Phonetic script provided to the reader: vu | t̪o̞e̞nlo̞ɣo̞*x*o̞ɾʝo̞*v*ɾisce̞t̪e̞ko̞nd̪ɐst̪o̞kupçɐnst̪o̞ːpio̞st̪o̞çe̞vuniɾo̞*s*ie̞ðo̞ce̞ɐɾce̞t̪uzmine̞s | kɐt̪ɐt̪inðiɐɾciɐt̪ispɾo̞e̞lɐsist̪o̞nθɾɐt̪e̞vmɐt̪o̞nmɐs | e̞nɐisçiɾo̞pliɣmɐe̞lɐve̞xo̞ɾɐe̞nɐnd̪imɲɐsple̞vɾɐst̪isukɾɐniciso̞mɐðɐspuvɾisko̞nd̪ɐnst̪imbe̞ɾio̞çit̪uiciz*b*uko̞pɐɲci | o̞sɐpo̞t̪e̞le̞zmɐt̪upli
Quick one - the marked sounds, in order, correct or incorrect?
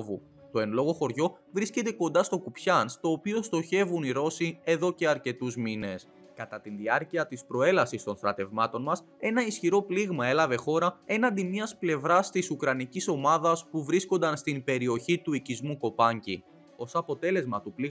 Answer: correct, correct, correct, incorrect: m

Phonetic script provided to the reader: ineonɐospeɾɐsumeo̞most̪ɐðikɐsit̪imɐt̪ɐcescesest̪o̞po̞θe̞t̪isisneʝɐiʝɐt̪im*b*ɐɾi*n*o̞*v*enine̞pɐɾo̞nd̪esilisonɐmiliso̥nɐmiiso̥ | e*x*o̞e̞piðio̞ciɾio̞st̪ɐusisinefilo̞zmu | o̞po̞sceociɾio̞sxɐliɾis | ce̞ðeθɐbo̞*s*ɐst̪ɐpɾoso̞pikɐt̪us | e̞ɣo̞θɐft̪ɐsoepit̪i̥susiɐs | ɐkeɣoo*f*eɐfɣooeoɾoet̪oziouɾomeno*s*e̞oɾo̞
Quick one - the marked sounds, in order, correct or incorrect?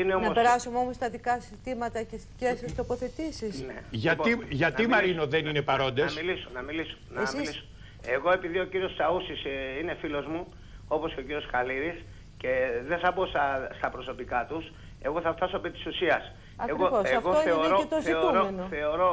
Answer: incorrect: m, correct, incorrect: ð, incorrect: ɣ, correct, incorrect: s, incorrect: θ

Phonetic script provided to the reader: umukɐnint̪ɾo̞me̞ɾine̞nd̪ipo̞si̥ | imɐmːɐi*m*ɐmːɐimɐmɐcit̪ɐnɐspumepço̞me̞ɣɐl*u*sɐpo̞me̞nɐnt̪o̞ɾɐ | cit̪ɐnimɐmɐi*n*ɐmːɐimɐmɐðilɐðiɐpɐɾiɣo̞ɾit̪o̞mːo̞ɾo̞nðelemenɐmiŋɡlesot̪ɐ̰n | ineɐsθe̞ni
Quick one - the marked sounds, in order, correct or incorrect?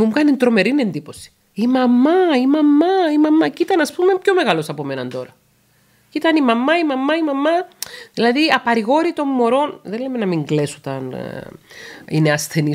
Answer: correct, incorrect: o, incorrect: m

